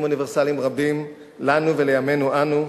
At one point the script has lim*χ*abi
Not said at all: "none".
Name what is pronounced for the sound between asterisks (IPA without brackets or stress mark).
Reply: ʁ